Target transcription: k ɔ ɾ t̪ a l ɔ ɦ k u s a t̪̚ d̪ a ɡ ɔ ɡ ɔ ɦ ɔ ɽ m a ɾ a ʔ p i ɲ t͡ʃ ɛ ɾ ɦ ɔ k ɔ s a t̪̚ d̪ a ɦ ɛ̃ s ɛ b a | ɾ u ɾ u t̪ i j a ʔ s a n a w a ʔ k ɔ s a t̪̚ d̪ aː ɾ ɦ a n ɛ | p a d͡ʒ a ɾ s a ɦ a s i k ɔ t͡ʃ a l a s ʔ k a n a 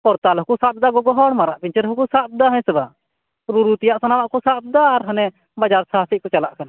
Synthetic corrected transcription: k ɔ ɾ t̪ a l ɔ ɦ k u s a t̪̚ d̪ a ɡ ɔ ɡ ɔ ɦ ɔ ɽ m a ɾ a ʔ p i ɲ t͡ʃ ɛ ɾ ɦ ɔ k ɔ s a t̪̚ d̪ a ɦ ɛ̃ s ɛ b a | ɾ u ɾ u t̪ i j a ʔ s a n a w a ʔ k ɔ s a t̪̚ d̪ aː ɾ ɦ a n ɛ | b a d͡ʒ a ɾ s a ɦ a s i k ɔ t͡ʃ a l a ʔ k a n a